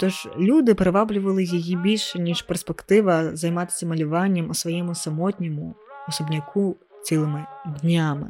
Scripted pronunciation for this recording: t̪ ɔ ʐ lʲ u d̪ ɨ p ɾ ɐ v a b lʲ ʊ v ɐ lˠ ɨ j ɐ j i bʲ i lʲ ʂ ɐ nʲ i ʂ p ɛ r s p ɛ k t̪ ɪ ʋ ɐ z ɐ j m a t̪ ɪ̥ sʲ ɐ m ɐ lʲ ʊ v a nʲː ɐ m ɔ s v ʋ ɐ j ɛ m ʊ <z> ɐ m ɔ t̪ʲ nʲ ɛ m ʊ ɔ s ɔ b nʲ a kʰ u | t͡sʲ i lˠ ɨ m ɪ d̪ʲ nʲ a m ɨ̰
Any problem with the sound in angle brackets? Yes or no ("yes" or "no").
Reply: yes